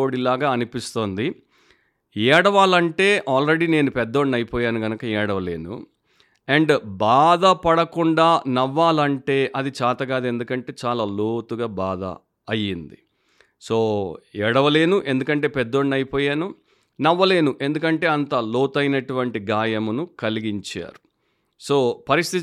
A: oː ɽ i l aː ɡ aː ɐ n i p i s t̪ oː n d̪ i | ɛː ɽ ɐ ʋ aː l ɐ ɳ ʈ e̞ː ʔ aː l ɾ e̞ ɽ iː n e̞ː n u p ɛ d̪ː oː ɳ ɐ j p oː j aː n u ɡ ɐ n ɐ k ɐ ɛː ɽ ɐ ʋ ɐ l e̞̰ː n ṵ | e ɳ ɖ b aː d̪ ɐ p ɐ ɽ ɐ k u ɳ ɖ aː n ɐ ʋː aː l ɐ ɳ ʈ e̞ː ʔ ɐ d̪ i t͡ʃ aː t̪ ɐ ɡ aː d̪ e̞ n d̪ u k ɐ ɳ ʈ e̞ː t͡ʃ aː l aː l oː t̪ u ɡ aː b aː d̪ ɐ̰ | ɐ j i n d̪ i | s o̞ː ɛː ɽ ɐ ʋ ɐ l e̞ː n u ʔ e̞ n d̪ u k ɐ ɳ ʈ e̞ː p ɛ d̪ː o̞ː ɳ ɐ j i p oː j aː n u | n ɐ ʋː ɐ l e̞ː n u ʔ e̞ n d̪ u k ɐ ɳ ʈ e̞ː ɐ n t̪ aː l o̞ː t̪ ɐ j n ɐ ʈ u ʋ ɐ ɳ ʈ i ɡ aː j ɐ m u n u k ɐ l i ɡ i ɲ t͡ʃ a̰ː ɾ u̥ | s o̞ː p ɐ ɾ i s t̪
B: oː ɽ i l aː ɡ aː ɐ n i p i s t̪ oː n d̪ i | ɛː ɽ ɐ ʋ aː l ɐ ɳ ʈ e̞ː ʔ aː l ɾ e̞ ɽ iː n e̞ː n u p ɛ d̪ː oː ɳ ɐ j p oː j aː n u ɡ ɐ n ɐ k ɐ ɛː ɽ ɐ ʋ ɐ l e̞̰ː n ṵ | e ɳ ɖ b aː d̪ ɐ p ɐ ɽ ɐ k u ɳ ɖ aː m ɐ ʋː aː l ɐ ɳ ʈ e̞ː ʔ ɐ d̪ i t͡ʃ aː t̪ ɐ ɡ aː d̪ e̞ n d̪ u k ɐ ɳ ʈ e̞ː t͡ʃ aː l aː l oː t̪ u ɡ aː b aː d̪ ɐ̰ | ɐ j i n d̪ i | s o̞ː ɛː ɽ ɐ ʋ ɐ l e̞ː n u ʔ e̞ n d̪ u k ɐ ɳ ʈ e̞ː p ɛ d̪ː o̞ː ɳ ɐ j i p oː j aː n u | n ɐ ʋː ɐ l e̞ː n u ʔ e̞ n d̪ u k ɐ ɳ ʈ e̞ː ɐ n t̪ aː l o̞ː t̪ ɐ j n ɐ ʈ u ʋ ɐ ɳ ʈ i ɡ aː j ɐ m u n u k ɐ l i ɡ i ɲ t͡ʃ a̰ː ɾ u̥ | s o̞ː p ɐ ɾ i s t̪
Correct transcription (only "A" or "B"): A